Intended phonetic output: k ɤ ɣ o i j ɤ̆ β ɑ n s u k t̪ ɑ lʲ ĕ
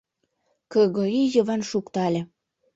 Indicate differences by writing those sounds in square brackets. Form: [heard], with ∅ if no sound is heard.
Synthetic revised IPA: k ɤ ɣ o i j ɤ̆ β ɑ n [ʃ] u k t̪ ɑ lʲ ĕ